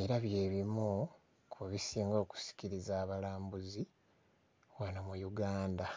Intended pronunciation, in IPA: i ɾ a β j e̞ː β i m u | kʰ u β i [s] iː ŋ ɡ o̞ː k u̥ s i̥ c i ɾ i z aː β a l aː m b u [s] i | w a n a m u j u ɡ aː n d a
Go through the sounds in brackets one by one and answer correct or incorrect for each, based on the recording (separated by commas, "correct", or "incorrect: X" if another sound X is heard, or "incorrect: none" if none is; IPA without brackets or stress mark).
correct, incorrect: z